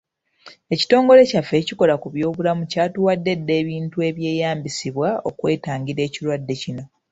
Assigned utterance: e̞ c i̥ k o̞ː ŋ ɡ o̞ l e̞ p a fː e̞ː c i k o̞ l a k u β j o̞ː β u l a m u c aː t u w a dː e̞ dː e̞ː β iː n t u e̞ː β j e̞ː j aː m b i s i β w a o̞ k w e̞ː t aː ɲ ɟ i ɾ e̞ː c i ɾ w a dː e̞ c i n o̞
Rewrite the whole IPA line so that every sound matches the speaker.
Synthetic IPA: e̞ c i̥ t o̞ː ŋ ɡ o̞ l e̞ c a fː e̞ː c i k o̞ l a k u β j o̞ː β u l a m u c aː t u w a dː e̞ dː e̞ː β iː n t u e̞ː β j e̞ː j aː m b i s i β w a o̞ k w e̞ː t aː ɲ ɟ i ɾ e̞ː c i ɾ w a dː e̞ c i n o̞